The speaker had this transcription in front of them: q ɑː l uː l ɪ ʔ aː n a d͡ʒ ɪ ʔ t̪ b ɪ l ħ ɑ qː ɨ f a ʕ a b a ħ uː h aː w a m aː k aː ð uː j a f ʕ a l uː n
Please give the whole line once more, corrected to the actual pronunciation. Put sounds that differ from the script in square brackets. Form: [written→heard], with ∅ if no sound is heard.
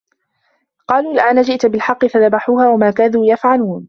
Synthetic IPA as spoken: q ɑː l uː l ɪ ʔ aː n a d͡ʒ ɪ ʔ t̪ b ɪ l ħ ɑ qː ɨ f a [ʕ→ð] a b a ħ uː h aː w a m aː k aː ð uː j a f ʕ a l uː n